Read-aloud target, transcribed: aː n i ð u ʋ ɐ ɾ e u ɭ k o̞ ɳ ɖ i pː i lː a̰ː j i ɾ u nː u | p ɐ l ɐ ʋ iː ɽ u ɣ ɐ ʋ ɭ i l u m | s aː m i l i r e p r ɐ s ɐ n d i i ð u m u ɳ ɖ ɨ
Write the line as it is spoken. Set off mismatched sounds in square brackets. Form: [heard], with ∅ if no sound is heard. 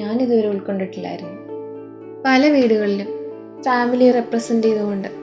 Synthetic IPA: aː n i ð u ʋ ɐ ɾ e u ɭ k o̞ ɳ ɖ i [ʈː] i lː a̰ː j i ɾ u nː u | p ɐ l ɐ ʋ iː ɽ u ɣ ɐ [∅] ɭ i l u m | [f] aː m i l i r e p r ɐ s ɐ n d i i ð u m u ɳ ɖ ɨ